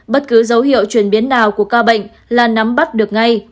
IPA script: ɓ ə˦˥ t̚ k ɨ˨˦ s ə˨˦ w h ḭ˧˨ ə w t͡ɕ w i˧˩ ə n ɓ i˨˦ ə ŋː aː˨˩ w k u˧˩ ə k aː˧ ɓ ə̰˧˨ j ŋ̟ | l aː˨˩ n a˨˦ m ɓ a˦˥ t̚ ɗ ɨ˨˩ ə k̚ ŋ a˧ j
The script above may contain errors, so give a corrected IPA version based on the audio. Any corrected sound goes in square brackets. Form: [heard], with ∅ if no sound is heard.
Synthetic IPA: ɓ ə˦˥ t̚ k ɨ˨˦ [z] ə˨˦ w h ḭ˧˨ ə w t͡ɕ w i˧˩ ə n ɓ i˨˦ ə [nː] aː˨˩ w k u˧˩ ə k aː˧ ɓ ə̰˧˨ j ŋ̟ | l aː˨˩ n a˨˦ m ɓ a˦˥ t̚ ɗ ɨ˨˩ ə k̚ ŋ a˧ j